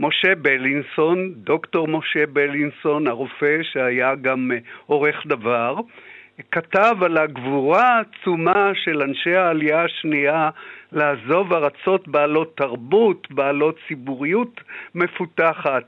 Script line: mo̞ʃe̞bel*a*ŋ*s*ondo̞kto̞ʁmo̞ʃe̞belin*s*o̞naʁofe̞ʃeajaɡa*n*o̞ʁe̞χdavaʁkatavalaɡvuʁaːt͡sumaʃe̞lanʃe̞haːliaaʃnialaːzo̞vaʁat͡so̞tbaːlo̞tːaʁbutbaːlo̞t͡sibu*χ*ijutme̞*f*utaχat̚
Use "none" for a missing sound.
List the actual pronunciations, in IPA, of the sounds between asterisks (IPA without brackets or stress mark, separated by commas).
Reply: i, s, s, m, ʁ, f